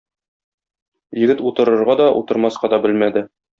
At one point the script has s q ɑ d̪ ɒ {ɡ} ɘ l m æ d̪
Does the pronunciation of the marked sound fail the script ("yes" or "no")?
yes